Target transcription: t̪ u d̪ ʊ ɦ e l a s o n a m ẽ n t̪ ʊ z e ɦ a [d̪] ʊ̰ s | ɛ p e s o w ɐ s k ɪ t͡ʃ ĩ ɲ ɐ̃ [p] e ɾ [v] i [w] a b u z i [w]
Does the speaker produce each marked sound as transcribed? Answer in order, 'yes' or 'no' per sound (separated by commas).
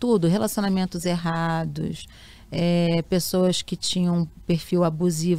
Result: yes, yes, no, yes, no